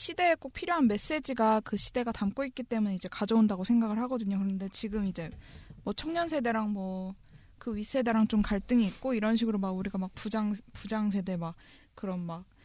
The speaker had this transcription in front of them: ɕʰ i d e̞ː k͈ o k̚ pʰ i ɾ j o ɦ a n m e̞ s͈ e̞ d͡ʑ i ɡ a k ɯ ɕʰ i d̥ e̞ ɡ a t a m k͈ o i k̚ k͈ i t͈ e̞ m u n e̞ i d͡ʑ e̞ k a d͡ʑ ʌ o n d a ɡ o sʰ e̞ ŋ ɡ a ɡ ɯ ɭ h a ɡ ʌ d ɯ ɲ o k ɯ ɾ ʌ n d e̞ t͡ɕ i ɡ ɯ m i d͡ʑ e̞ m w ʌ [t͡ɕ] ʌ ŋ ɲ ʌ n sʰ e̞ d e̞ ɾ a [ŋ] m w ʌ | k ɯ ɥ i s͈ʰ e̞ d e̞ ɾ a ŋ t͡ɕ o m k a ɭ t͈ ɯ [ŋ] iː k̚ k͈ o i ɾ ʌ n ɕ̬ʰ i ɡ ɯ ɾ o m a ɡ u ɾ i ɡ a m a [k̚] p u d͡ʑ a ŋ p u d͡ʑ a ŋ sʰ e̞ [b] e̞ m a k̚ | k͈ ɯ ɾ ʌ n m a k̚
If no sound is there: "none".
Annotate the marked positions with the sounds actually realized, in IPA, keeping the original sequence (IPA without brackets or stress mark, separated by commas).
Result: t͡ɕʰ, ŋ, ŋ, k̚, d